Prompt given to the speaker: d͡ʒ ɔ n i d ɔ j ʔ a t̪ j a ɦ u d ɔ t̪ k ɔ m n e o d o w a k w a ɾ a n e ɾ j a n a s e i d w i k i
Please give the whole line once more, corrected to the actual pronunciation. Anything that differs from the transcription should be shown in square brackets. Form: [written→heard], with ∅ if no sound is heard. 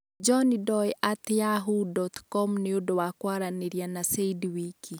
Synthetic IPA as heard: d͡ʒ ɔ n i d ɔ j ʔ a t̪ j a ɦ u d ɔ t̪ k ɔ m n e o d o w a k w a ɾ a n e ɾ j a n a s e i d w i k i